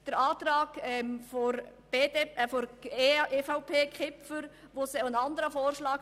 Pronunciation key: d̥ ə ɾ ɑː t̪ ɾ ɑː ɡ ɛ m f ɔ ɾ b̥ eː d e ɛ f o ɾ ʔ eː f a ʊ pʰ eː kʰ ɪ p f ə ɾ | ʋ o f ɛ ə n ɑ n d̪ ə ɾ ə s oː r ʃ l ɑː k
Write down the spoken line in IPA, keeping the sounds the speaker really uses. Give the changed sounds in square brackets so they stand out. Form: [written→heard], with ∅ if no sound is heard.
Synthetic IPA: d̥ ə ɾ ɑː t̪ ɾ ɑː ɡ ɛ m f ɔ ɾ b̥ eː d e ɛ f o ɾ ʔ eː f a ʊ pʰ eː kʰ ɪ p f ə ɾ | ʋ o [f→s] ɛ ə n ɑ n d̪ ə ɾ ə [s→f] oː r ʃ l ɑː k